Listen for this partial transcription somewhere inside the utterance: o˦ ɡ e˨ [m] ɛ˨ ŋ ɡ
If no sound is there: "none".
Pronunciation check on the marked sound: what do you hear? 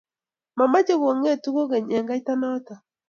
ɲ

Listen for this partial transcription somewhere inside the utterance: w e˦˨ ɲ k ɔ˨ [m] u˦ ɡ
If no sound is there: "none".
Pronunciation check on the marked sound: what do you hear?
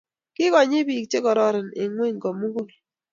m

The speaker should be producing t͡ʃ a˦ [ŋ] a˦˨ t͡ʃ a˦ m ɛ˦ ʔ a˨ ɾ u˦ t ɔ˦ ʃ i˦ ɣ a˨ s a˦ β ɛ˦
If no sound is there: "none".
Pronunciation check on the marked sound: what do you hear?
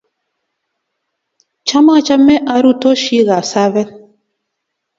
m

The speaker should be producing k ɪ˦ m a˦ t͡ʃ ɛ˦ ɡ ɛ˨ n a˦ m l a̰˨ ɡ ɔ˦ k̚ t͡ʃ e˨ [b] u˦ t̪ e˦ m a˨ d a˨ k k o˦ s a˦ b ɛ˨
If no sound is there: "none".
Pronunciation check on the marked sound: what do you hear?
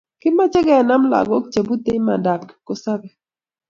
b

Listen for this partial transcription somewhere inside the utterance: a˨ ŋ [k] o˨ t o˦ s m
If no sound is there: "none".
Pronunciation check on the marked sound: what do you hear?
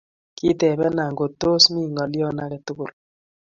ɡ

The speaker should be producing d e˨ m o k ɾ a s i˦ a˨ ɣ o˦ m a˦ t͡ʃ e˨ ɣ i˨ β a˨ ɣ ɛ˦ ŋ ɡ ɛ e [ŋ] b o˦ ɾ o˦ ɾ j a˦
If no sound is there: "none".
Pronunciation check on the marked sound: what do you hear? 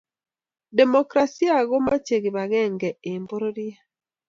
m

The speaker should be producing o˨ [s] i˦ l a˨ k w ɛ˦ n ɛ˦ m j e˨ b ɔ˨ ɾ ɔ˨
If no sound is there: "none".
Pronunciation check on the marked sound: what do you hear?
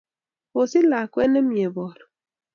s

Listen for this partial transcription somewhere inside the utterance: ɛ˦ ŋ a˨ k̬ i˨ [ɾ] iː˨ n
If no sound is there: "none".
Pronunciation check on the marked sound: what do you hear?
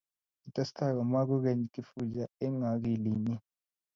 l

